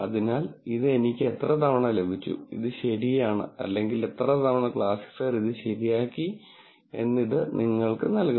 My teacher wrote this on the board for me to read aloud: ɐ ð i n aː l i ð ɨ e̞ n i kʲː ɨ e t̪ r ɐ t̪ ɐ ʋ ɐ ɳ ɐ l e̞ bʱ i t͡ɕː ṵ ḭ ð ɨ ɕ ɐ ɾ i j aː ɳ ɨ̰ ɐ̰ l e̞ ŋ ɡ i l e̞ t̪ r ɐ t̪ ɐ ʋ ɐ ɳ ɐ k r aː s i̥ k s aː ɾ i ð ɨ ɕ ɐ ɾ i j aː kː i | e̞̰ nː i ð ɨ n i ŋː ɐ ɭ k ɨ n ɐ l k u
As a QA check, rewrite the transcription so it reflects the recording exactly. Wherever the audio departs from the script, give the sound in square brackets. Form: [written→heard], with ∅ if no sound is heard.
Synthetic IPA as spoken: ɐ ð i n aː l i ð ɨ e̞ n i kʲː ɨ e t̪ r ɐ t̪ ɐ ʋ ɐ ɳ ɐ l e̞ bʱ i t͡ɕː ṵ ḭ ð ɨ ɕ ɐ ɾ i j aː ɳ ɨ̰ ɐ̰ [l→lː] e̞ ŋ ɡ i l e̞ t̪ r ɐ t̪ ɐ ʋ ɐ ɳ ɐ k [r→ɭ] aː s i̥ k s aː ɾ i ð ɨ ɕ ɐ ɾ i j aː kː i | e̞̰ nː i ð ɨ n i ŋː ɐ ɭ k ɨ n ɐ l k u

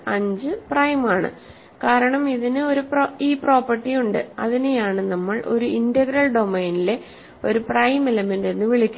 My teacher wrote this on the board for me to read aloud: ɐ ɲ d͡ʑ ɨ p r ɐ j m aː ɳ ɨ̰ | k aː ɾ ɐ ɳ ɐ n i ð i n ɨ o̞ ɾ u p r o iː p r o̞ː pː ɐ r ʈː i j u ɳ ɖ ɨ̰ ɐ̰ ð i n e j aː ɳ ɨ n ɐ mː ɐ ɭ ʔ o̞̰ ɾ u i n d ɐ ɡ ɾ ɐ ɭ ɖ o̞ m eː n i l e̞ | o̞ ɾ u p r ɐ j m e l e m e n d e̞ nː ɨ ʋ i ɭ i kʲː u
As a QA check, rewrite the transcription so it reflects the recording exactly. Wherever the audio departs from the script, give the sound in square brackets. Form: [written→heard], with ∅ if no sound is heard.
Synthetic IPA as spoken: ɐ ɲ d͡ʑ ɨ p r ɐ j m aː ɳ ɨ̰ | k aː ɾ ɐ ɳ ɐ [n→m] i ð i n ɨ o̞ ɾ u p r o iː p r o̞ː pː ɐ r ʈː i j u ɳ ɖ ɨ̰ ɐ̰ ð i n e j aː ɳ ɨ n ɐ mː ɐ ɭ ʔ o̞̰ ɾ u i n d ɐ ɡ ɾ ɐ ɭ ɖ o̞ m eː n i l e̞ | o̞ ɾ u p r ɐ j m e l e m e n d e̞ nː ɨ ʋ i ɭ i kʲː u

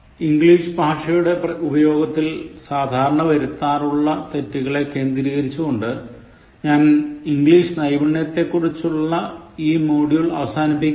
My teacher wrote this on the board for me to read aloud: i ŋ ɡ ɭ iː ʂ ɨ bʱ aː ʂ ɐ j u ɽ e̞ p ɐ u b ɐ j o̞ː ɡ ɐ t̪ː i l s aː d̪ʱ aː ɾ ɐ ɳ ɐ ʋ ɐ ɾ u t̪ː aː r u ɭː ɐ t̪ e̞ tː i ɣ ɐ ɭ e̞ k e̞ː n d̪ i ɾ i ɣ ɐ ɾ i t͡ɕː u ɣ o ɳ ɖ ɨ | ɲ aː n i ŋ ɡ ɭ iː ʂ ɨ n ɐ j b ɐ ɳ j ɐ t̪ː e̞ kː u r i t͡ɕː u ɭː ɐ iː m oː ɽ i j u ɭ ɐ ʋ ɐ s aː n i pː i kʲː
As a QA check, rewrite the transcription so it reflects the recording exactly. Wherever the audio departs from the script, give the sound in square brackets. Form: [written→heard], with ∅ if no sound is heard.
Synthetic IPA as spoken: i ŋ ɡ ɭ iː ʂ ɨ bʱ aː ʂ ɐ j u ɽ e̞ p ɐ u b ɐ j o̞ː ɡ ɐ t̪ː i l s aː d̪ʱ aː ɾ ɐ ɳ ɐ ʋ ɐ ɾ u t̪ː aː r u ɭː ɐ t̪ e̞ tː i ɣ ɐ ɭ e̞ k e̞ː n d̪ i ɾ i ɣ ɐ ɾ i t͡ɕː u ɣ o ɳ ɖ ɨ | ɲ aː n i ŋ ɡ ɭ iː ʂ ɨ n ɐ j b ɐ ɳ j ɐ t̪ː e̞ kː u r i t͡ɕː u ɭː ɐ iː m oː ɽ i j u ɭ ɐ ʋ ɐ s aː n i pː i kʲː

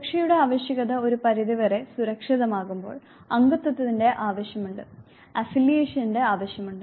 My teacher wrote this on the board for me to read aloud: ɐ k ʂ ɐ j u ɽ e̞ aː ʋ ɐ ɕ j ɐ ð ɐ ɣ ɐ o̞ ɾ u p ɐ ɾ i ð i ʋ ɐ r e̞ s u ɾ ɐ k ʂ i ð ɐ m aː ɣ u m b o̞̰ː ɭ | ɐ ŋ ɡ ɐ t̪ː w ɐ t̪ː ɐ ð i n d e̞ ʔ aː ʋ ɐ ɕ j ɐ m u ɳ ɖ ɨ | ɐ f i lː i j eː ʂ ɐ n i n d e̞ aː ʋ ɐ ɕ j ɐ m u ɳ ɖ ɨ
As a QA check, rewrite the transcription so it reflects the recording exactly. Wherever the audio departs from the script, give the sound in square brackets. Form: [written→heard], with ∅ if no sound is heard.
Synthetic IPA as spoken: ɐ k ʂ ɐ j u ɽ e̞ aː ʋ ɐ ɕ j ɐ [ð→ɣ] ɐ [ɣ→ð] ɐ o̞ ɾ u p ɐ ɾ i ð i ʋ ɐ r e̞ s u ɾ ɐ k ʂ i ð ɐ m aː ɣ u m b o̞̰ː ɭ | ɐ ŋ ɡ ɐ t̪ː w ɐ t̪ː ɐ ð i n d e̞ ʔ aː ʋ ɐ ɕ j ɐ m u ɳ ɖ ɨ | ɐ f i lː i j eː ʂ ɐ n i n d e̞ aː ʋ ɐ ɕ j ɐ m u ɳ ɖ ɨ

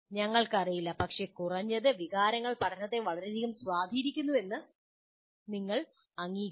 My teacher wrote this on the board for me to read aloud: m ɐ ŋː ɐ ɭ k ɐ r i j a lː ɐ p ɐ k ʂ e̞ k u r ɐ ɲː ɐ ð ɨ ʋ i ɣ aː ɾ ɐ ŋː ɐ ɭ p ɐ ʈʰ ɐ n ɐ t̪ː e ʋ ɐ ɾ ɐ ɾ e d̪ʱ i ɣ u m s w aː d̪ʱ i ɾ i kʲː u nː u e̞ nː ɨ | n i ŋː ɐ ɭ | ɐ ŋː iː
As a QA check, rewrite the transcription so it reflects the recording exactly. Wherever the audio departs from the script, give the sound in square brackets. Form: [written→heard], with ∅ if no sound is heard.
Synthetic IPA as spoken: [m→ɲ] ɐ ŋː ɐ ɭ k ɐ r i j [a→i] lː ɐ p ɐ k ʂ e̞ k u r ɐ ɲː ɐ ð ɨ ʋ i ɣ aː ɾ ɐ ŋː ɐ ɭ p ɐ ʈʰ ɐ n ɐ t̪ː e ʋ ɐ [ɾ→ɭ] ɐ ɾ e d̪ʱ i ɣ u m s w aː d̪ʱ i ɾ i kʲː u nː u e̞ nː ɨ | n i ŋː ɐ ɭ | ɐ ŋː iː

